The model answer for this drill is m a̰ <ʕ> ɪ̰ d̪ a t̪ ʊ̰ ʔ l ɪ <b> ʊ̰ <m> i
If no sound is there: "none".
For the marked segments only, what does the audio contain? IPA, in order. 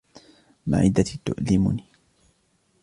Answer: ʕ, m, n

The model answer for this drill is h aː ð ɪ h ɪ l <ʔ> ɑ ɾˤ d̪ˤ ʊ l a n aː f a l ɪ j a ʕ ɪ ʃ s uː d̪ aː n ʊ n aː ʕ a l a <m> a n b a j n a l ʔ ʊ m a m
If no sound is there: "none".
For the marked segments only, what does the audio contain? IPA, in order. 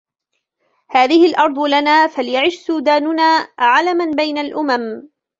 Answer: ʔ, m

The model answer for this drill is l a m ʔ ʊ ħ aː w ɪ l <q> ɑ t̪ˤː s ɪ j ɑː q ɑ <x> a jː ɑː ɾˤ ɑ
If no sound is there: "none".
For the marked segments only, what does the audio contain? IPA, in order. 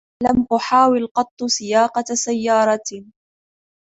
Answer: q, s

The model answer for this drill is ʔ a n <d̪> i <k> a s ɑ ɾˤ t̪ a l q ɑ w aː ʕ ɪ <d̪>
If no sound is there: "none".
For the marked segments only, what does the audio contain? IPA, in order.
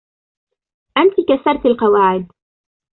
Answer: t̪, k, d̪

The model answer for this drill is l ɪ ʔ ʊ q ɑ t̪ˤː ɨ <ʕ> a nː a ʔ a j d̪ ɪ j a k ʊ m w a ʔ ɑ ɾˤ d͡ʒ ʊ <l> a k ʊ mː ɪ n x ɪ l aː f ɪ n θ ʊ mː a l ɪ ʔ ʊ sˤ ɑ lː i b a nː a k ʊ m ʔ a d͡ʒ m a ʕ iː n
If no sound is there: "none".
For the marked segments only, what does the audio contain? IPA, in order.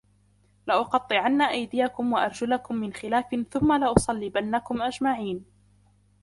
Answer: ʕ, l

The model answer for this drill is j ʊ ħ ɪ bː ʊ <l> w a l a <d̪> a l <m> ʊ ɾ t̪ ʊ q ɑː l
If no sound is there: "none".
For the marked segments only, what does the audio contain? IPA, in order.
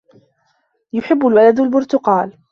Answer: l, d̪, b

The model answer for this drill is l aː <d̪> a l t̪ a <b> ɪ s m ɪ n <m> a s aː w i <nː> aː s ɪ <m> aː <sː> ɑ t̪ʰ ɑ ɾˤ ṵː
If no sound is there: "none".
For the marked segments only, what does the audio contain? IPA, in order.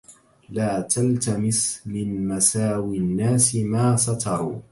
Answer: t̪, m, m, nː, m, s

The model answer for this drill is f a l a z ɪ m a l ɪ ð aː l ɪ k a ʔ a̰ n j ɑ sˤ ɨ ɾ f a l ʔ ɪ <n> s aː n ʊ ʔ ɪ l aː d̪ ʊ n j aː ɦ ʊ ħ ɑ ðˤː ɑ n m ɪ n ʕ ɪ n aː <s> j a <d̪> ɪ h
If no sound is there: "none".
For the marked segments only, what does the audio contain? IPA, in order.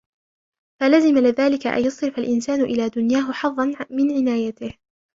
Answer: n, none, t̪

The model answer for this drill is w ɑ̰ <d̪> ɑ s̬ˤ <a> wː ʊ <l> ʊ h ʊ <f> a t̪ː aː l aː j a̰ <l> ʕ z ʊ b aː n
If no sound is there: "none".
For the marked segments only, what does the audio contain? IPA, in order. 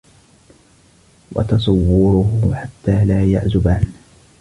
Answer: t̪, ɑ, ɾ, ħ, none

